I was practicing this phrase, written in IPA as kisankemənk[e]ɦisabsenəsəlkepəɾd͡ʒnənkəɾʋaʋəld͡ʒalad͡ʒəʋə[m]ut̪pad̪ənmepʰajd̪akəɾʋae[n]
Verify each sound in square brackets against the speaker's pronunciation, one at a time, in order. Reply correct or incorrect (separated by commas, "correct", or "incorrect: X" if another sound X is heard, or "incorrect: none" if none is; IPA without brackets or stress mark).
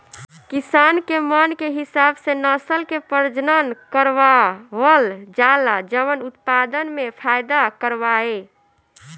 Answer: correct, incorrect: n, incorrect: none